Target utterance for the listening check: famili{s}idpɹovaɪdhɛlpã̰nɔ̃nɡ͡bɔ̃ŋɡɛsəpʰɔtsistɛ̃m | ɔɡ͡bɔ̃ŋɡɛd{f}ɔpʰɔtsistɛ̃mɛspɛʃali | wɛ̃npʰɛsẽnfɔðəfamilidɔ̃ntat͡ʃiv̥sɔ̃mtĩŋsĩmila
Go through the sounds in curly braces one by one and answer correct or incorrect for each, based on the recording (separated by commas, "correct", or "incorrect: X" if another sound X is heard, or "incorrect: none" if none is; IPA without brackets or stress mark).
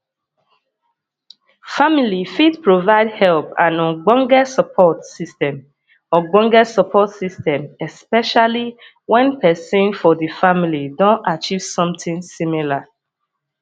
incorrect: f, incorrect: s